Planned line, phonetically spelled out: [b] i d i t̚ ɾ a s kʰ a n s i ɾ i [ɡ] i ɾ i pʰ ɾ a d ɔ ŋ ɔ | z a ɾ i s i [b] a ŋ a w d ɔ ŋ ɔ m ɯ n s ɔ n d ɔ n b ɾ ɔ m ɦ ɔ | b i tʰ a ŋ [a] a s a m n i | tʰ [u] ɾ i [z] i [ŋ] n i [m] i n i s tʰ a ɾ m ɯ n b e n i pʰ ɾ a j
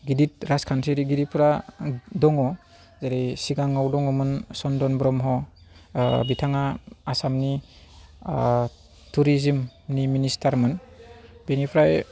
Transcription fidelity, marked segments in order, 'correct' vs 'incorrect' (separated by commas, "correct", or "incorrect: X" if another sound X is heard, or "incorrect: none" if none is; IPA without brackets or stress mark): incorrect: ɡ, correct, incorrect: ɡ, correct, correct, correct, incorrect: m, correct